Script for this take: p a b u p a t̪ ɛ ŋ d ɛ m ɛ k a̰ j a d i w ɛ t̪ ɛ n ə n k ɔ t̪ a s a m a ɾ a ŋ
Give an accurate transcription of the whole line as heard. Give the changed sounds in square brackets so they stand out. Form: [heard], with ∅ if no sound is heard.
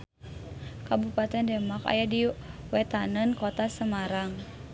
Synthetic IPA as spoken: [k] a b u p a t̪ ɛ [n] d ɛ m [a] k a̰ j a d i w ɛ t̪ [a] n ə n k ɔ t̪ a s [ə] m a ɾ a ŋ